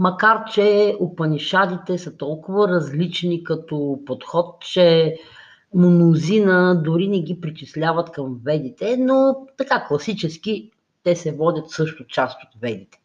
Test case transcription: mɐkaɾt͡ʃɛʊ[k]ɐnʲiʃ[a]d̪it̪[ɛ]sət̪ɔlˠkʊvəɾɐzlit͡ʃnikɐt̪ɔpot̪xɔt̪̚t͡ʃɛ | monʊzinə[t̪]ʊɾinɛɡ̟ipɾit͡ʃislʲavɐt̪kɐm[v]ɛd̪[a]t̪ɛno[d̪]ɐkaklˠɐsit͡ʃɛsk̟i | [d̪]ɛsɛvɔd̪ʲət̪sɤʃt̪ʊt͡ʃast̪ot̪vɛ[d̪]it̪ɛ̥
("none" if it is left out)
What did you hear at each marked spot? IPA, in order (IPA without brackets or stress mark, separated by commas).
p, a, ɛ, d̪, v, i, t̪, t̪, d̪